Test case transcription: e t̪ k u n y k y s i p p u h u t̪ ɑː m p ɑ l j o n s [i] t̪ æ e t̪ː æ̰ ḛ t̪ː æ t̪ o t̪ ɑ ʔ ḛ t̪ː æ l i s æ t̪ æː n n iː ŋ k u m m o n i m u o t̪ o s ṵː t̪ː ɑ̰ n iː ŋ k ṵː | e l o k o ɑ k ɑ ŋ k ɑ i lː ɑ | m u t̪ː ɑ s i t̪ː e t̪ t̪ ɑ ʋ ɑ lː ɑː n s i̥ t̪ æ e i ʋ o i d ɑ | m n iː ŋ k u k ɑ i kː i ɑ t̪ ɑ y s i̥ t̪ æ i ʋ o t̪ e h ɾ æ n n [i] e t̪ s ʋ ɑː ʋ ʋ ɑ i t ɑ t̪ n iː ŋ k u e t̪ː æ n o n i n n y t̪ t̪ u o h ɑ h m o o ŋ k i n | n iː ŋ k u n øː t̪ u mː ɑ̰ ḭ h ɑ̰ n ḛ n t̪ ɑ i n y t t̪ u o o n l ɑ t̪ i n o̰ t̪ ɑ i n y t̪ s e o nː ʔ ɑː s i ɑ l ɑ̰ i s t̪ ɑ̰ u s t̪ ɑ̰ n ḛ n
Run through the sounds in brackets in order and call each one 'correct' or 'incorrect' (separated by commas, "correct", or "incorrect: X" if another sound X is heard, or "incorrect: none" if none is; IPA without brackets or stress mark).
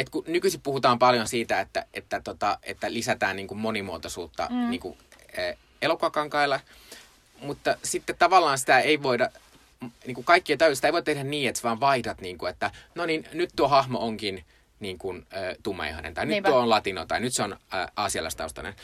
incorrect: iː, incorrect: iː